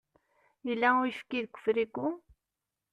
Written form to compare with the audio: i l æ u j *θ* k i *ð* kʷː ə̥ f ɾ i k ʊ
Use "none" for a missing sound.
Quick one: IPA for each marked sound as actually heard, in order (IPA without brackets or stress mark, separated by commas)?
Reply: f, ð